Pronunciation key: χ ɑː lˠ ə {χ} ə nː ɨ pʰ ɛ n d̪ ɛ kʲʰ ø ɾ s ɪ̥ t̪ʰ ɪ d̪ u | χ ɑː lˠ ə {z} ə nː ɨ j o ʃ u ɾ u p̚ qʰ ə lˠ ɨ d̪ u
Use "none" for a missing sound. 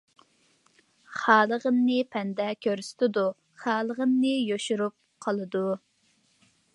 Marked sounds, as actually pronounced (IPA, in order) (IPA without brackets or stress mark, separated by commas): ʁ, ʁ